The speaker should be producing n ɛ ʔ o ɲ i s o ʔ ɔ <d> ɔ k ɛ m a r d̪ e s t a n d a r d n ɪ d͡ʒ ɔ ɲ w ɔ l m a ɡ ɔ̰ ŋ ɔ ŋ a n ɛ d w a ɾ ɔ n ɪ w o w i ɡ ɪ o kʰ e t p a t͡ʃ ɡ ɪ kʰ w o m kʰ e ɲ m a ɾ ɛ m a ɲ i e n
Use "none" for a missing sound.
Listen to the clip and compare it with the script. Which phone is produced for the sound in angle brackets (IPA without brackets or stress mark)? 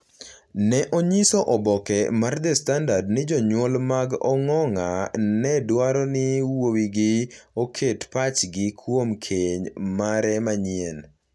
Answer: b